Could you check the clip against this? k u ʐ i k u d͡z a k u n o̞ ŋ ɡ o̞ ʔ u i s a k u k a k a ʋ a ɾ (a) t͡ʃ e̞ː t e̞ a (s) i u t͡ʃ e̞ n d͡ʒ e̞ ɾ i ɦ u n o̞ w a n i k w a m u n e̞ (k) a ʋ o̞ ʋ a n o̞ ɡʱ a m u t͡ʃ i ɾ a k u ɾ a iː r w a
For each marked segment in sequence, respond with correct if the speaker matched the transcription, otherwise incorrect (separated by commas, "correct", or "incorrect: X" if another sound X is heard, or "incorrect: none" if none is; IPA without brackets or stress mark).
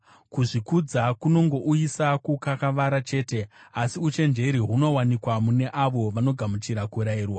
correct, correct, incorrect: ʔ